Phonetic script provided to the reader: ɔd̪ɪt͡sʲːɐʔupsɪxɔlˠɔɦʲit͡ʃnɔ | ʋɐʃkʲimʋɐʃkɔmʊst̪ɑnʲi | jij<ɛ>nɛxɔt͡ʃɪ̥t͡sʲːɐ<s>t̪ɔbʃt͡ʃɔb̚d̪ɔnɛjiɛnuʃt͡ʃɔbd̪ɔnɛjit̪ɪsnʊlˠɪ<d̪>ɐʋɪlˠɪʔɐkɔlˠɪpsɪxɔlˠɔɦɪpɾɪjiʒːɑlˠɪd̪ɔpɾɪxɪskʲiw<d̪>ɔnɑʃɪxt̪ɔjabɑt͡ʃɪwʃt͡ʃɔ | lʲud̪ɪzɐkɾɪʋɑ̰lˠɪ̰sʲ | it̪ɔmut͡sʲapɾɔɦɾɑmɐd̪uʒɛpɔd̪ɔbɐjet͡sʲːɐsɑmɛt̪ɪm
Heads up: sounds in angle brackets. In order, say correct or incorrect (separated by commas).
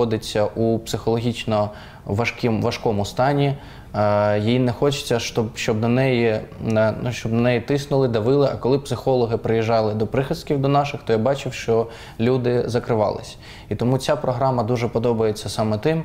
incorrect, incorrect, correct, correct